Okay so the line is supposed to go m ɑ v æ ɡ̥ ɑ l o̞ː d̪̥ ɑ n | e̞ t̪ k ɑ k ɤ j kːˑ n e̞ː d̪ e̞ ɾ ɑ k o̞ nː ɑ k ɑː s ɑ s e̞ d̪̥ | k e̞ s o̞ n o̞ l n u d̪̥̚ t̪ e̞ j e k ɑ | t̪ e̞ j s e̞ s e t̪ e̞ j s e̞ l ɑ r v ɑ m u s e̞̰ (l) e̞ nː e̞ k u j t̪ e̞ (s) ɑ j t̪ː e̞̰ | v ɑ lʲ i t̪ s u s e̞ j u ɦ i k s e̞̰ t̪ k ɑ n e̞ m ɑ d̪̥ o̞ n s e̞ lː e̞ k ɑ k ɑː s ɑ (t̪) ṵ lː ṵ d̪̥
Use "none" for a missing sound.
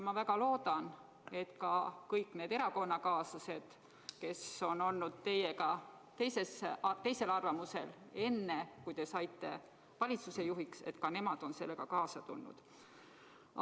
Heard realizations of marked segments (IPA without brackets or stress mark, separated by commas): l, s, t̪